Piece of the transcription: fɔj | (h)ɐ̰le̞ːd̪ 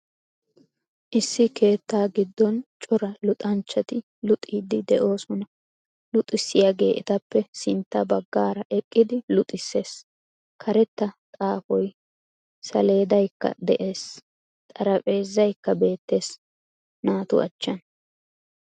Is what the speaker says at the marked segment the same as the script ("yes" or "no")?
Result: no